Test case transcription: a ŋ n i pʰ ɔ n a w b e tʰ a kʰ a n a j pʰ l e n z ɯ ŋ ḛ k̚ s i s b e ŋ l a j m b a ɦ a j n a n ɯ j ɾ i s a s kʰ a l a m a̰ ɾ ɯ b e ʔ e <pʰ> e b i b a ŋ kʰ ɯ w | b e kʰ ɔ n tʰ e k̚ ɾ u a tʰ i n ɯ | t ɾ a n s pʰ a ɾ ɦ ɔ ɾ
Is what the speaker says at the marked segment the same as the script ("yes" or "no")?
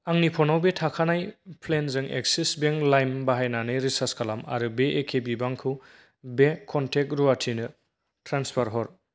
no